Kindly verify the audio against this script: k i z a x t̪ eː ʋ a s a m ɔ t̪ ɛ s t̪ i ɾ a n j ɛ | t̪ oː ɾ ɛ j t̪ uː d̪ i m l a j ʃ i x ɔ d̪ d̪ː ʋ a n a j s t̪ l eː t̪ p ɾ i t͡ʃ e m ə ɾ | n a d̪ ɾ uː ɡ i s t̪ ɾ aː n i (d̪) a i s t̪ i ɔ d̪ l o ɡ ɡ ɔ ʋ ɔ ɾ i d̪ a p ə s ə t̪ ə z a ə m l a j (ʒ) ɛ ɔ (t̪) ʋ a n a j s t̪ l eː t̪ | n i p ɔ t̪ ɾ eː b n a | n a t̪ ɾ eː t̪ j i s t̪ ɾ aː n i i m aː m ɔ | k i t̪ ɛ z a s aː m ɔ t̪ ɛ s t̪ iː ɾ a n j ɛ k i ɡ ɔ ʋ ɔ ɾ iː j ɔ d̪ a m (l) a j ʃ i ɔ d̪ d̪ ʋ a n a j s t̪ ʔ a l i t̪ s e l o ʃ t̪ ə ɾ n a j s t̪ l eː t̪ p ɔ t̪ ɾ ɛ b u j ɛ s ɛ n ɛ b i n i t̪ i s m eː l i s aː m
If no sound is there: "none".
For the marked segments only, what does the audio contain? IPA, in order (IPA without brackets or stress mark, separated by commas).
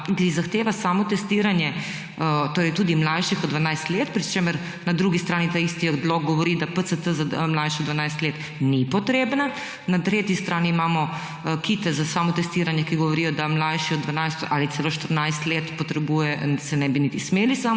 t̪, ʃ, d̪, l